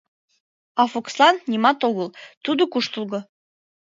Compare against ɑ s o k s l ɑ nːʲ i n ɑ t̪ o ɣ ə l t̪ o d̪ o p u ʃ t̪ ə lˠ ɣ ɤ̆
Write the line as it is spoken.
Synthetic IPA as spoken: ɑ f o k s l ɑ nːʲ i m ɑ t̪ o ɣ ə l t̪ u d̪ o k u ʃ t̪ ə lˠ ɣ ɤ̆

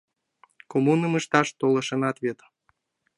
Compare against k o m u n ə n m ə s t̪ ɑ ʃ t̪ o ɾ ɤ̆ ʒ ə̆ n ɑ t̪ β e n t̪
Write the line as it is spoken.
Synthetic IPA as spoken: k o m u n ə m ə ʃ t̪ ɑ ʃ t̪ o l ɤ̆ ʃ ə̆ n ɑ t̪ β e t̪

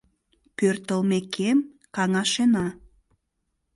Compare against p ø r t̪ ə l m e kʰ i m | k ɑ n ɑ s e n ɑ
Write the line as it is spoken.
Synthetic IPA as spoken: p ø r t̪ ə l m e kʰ e m | k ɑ ŋ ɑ ʃ e n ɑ

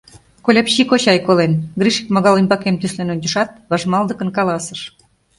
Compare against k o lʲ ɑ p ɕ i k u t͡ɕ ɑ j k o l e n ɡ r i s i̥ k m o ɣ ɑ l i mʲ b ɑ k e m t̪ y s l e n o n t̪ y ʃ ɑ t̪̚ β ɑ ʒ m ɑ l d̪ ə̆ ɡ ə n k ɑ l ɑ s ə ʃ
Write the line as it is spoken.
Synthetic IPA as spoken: k o lʲ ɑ p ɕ i k o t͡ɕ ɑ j k o l e n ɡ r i ʃ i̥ k m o ɣ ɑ l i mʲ b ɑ k e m t̪ y s l e n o n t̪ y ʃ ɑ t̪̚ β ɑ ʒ m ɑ l d̪ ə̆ k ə n k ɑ l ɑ s ə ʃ

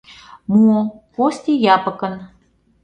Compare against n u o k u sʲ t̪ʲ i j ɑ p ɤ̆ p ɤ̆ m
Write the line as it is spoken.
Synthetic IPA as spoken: m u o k o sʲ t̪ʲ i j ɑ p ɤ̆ k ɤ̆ n

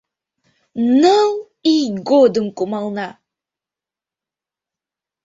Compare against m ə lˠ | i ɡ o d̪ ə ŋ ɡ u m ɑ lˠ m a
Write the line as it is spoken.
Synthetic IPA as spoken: n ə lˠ | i ɡ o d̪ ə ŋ k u m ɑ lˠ n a

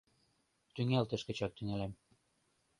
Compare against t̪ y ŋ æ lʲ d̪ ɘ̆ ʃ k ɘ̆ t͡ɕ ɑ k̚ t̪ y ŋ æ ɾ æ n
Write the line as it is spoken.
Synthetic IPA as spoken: t̪ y ŋ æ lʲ t̪ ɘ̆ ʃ k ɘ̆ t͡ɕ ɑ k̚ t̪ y ŋ æ l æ m

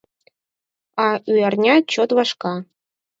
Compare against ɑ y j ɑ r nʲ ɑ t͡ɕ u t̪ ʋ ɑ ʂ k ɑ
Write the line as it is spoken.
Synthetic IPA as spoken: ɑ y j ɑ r nʲ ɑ t͡ɕ o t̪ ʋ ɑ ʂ k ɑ

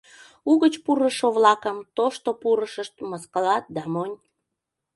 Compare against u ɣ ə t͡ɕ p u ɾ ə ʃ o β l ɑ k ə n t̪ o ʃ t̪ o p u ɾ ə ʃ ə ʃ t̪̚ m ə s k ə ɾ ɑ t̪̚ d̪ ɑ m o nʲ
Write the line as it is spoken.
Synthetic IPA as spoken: u ɣ ə t͡ɕ p u ɾ ə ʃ o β l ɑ k ə m t̪ o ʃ t̪ o p u ɾ ə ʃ ə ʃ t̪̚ m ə s k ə l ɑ t̪̚ d̪ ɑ m o nʲ

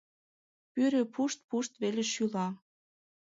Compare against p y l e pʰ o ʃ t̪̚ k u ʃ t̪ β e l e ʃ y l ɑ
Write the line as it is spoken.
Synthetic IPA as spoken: p y ɾ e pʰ u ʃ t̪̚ p u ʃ t̪ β e l e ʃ y l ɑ

